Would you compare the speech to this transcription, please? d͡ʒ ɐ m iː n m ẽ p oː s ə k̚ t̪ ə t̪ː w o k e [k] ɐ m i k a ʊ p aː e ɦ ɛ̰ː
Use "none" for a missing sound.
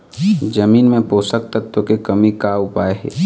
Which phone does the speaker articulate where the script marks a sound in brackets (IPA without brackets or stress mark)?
k